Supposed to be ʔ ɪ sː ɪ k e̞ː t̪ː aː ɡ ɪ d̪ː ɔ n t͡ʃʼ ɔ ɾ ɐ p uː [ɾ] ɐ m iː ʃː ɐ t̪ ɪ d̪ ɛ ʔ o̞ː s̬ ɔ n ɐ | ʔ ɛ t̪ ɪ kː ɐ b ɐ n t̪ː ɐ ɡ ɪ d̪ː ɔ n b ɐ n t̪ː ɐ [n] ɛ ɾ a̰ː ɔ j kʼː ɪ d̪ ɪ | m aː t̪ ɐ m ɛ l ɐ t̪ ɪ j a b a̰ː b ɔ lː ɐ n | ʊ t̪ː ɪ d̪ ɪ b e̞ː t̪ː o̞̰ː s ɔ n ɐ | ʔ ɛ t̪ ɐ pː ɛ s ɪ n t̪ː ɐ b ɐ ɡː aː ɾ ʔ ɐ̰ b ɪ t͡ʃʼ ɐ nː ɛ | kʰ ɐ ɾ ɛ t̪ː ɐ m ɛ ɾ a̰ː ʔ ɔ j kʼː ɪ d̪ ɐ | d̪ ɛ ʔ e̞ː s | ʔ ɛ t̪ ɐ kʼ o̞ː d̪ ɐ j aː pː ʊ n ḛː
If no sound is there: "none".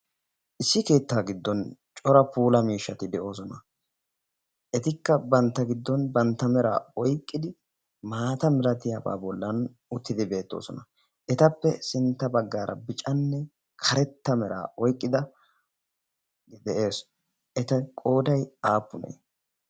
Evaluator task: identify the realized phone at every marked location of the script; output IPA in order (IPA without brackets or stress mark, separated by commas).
l, m